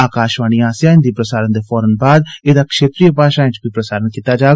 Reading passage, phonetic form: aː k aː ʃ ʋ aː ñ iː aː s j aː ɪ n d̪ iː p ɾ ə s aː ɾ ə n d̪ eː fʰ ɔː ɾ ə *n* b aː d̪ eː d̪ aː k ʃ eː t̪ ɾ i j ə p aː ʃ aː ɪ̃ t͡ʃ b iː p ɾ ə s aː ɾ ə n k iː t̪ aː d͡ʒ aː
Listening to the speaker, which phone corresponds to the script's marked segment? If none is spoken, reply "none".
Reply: n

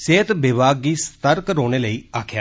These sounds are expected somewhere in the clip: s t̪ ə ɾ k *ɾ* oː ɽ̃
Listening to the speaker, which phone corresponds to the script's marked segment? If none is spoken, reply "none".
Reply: ɾ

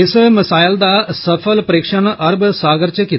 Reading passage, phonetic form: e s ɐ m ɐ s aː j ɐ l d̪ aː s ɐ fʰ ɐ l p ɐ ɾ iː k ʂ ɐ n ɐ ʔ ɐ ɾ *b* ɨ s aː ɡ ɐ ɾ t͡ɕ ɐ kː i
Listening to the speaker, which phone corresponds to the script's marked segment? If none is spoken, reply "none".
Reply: b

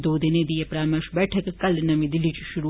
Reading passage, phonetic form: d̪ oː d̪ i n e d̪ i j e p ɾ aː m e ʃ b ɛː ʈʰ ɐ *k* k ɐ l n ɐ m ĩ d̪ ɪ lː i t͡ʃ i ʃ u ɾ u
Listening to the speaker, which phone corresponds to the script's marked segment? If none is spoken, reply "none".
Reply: k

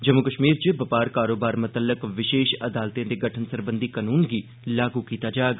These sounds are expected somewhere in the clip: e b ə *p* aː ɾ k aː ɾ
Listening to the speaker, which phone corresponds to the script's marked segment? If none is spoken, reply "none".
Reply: p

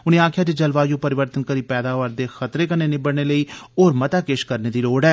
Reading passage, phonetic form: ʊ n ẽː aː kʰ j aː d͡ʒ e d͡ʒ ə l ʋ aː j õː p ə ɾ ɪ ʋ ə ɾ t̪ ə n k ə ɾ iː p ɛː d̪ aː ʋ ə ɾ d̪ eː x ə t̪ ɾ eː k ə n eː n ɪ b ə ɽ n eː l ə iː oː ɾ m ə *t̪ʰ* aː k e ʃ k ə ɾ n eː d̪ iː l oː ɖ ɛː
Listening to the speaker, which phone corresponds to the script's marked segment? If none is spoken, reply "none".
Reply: t̪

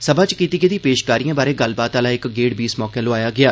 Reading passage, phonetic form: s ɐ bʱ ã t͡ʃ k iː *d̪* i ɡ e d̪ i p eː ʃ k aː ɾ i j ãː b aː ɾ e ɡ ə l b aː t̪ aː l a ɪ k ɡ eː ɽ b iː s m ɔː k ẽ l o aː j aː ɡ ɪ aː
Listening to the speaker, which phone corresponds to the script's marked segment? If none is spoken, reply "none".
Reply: t̪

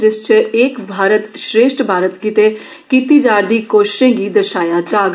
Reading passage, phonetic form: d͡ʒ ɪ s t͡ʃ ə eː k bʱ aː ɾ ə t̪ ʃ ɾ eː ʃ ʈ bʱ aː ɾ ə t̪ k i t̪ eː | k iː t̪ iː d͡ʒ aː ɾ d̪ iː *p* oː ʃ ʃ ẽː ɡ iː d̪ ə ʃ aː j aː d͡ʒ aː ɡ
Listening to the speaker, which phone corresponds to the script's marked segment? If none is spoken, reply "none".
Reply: k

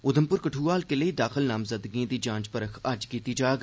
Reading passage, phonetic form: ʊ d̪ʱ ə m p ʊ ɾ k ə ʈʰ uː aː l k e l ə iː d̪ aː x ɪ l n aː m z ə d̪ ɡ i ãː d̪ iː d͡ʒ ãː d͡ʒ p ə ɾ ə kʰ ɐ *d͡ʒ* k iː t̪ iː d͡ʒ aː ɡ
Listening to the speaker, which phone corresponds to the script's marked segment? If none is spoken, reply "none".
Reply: d͡ʒ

